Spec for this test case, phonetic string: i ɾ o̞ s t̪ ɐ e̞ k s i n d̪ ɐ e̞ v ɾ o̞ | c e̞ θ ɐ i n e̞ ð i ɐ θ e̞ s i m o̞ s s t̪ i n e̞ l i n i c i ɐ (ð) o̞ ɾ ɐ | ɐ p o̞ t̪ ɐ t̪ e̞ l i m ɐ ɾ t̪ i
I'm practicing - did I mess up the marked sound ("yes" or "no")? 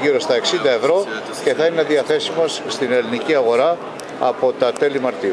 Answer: yes